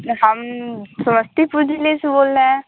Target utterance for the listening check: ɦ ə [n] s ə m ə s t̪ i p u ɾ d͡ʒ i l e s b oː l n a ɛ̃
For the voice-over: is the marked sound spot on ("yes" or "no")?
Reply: no